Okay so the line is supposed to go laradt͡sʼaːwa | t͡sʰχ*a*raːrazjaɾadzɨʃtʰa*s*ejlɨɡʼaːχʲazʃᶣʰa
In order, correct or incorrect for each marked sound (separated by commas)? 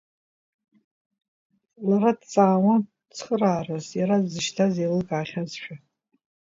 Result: incorrect, incorrect